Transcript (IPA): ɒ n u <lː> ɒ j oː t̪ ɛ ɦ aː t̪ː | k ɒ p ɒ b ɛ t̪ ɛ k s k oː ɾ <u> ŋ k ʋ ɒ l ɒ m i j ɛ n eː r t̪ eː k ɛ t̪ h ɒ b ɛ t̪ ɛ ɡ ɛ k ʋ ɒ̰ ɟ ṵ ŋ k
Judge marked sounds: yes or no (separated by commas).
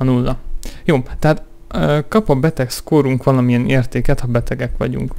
yes, yes